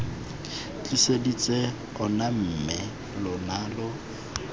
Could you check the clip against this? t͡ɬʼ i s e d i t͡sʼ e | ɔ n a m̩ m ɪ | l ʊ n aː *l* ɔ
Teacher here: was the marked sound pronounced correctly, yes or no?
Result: yes